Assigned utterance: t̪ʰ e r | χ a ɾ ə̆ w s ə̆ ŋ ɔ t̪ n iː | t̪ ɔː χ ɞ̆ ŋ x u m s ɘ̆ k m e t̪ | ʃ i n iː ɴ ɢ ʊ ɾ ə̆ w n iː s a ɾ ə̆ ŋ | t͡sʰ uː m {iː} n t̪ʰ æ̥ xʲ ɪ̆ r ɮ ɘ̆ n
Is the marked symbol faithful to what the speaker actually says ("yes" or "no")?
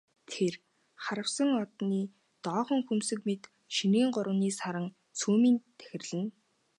yes